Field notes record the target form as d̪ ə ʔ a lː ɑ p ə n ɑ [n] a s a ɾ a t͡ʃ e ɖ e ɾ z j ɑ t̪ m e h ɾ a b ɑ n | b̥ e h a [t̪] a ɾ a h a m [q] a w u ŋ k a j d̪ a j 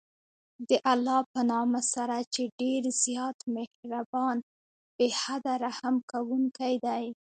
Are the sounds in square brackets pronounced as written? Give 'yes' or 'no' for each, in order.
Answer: no, no, no

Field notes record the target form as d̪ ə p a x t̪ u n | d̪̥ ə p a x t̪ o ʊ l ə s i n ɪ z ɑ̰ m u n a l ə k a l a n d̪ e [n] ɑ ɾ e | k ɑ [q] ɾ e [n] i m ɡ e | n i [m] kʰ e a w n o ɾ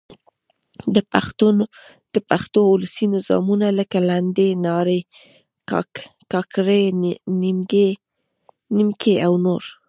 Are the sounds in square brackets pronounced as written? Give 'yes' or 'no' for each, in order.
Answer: yes, no, yes, yes

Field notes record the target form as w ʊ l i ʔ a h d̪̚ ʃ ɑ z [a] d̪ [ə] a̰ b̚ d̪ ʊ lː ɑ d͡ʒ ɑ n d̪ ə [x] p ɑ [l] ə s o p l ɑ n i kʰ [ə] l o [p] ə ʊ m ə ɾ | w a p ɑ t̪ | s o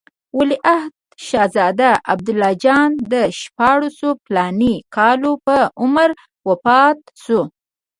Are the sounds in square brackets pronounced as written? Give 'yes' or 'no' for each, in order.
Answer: no, no, no, no, no, yes

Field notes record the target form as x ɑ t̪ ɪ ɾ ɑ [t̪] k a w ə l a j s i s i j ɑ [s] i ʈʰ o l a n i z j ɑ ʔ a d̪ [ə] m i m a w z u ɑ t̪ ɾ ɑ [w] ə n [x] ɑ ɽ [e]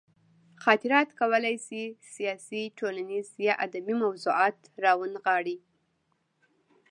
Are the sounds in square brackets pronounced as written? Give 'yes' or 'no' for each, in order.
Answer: yes, yes, no, yes, no, no

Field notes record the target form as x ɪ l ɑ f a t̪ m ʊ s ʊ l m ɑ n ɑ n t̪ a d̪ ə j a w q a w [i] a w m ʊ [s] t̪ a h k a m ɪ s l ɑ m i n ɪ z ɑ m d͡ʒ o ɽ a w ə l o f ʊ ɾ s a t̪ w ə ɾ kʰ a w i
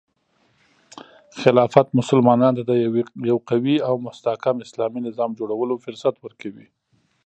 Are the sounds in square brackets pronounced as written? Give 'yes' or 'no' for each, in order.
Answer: yes, yes

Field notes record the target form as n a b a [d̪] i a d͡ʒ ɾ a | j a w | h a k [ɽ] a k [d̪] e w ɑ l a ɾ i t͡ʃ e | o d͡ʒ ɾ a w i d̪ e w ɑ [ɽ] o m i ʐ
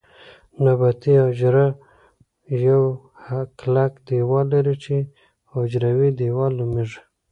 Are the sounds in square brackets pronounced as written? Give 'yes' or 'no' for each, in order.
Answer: no, no, yes, no

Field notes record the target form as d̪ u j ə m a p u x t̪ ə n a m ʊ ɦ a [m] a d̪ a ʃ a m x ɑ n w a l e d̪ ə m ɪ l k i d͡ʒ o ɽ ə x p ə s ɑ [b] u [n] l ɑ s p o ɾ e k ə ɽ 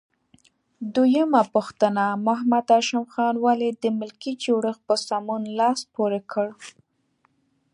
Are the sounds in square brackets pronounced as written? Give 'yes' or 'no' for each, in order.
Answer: yes, no, yes

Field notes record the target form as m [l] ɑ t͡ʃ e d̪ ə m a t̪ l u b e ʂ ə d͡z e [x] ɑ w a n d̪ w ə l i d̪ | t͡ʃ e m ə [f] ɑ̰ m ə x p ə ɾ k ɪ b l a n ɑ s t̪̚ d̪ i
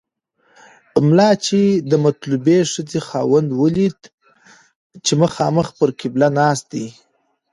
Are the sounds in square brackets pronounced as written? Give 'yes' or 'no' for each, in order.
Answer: yes, yes, no

